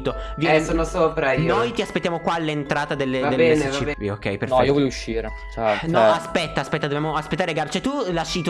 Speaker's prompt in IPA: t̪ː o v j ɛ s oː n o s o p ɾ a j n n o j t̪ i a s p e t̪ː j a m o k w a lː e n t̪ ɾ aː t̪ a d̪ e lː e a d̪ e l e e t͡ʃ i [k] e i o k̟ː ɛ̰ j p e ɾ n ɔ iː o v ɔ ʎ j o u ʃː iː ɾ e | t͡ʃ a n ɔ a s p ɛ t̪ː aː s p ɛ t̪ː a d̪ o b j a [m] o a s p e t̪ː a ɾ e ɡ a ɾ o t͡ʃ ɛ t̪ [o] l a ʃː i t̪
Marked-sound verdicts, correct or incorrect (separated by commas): incorrect, correct, incorrect